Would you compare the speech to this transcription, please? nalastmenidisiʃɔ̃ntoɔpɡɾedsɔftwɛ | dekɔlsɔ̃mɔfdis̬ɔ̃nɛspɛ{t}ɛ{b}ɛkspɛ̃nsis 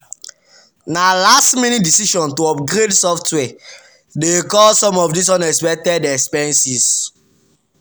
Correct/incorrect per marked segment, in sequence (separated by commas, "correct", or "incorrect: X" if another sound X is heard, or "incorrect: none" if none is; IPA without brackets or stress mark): correct, incorrect: d